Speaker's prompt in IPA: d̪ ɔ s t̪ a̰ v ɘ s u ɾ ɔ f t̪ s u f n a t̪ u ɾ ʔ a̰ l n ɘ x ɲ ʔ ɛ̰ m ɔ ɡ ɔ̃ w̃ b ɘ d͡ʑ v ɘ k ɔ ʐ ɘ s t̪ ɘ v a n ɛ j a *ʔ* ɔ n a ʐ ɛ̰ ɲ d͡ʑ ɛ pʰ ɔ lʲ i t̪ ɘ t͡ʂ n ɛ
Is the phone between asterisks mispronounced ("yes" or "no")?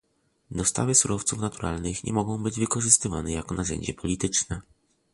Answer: yes